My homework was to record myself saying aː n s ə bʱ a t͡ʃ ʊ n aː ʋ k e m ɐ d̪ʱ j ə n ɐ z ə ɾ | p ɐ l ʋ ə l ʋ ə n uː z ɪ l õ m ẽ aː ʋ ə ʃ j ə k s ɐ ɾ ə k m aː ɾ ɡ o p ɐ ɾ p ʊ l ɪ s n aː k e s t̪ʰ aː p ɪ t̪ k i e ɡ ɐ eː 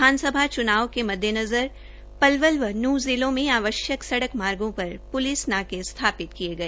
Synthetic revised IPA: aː n s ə bʱ a t͡ʃ ʊ n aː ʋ k e m ɐ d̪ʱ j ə n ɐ z ə ɾ | p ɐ l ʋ ə l ʋ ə n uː z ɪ l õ m ẽ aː ʋ ə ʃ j ə k s ɐ ɽ ə k m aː ɾ ɡ õ p ɐ ɾ p ʊ l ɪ s n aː k e s t̪ʰ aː p ɪ t̪ k i e ɡ ɐ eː